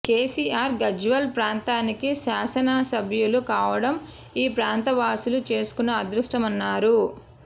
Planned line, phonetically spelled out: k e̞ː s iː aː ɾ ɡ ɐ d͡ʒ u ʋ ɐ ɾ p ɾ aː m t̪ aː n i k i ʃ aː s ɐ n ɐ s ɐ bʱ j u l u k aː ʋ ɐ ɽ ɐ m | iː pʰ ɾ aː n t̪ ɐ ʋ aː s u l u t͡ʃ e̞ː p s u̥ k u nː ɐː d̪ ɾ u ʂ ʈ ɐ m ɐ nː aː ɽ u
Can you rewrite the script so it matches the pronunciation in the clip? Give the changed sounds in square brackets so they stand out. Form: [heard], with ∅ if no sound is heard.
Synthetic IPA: k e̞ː s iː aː ɾ ɡ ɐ d͡ʒ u ʋ ɐ [l] p ɾ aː [n] t̪ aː n i k i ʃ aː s ɐ n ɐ s ɐ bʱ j u l u k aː ʋ ɐ ɽ ɐ m | iː [p] ɾ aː n t̪ ɐ ʋ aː s u l u t͡ʃ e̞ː [∅] s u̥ k u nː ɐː d̪ ɾ u ʂ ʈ ɐ m ɐ nː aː [ɾ] u